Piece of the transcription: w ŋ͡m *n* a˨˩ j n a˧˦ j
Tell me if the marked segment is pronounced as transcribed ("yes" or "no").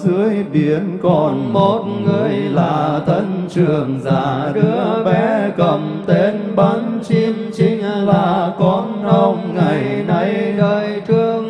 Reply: no